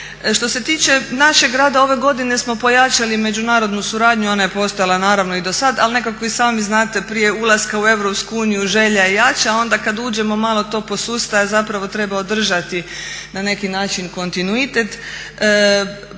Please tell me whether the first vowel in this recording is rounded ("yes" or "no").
yes